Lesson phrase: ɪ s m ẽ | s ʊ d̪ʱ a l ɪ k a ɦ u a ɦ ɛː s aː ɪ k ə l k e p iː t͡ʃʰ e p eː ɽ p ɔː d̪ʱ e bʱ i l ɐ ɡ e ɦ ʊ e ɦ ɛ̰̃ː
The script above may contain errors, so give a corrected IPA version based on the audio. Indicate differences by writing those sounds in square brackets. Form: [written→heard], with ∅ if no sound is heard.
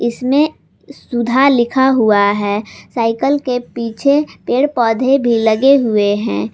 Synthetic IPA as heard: ɪ s m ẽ | s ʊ d̪ʱ a l ɪ [k→kʰ] a ɦ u a ɦ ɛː s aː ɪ k ə l k e p iː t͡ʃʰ e p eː ɽ p ɔː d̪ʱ e bʱ i l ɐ ɡ e ɦ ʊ e ɦ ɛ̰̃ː